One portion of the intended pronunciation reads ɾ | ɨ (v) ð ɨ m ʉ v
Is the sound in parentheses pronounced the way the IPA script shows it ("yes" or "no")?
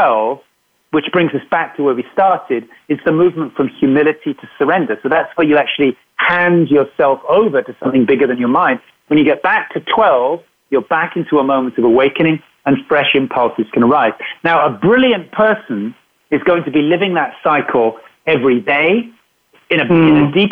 no